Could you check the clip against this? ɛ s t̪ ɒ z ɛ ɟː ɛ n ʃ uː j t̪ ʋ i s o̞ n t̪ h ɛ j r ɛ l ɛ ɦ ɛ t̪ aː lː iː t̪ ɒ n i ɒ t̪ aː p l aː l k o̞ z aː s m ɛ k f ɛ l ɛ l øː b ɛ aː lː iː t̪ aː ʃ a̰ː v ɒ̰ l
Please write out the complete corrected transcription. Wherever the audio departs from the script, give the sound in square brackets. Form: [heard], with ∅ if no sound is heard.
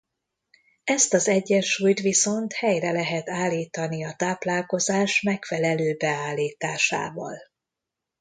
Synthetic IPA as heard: ɛ s t̪ ɒ z ɛ ɟː ɛ n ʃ uː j t̪ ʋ i s o̞ n t̪ h ɛ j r ɛ l ɛ ɦ ɛ t̪ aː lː iː t̪ ɒ n i ɒ t̪ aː p l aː l k o̞ z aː [ʃ] m ɛ k f ɛ l ɛ l øː b ɛ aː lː iː t̪ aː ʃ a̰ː v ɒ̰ l